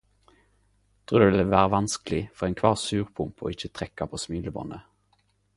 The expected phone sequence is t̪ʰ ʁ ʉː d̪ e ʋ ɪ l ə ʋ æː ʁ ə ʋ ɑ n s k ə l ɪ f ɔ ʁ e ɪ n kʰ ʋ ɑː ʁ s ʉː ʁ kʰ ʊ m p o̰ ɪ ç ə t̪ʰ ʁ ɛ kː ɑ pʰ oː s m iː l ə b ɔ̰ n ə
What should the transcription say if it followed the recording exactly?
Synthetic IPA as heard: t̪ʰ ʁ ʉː d̪ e ʋ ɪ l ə ʋ æː ʁ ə ʋ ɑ n s k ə l ɪ f ɔ ʁ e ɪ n kʰ ʋ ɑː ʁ s ʉː ʁ pʰ ʊ m p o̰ ɪ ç ə t̪ʰ ʁ ɛ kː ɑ pʰ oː s m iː l ə b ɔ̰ n ə